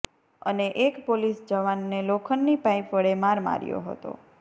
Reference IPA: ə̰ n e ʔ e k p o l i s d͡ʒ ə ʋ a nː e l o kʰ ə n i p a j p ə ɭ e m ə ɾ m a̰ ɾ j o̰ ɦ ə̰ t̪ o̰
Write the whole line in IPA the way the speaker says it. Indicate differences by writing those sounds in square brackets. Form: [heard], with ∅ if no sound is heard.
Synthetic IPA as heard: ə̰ n e ʔ e k p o l i s d͡ʒ ə ʋ a nː e l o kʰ ə [nː] i p a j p ə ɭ e m [a] ɾ m a̰ ɾ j o̰ ɦ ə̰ t̪ o̰